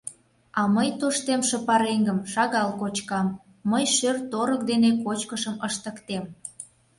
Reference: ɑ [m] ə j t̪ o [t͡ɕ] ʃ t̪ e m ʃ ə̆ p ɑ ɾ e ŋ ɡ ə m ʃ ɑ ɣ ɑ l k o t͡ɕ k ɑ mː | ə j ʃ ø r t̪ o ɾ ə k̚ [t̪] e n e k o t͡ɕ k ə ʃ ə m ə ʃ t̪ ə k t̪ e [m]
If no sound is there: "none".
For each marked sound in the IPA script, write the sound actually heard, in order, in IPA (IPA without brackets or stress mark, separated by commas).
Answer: m, none, d̪, m